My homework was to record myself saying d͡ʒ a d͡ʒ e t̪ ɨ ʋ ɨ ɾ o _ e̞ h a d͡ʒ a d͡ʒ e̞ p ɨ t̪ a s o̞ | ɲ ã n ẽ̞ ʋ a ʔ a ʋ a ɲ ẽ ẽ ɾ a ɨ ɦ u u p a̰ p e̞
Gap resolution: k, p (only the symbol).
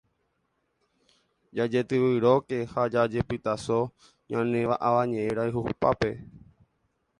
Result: k